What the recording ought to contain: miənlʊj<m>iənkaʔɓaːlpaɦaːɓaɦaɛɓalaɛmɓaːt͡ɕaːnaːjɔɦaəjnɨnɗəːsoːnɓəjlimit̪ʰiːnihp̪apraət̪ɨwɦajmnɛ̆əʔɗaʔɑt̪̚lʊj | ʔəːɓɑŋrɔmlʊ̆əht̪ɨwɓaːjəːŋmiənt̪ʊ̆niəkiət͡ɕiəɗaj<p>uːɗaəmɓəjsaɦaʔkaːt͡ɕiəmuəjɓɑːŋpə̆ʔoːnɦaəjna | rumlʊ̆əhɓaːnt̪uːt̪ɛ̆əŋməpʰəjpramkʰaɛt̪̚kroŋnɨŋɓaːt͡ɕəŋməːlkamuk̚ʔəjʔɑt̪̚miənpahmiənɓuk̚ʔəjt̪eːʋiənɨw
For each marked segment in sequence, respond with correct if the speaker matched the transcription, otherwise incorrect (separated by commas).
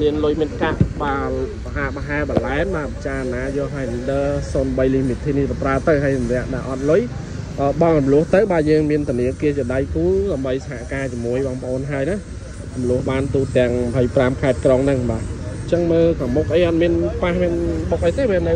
correct, incorrect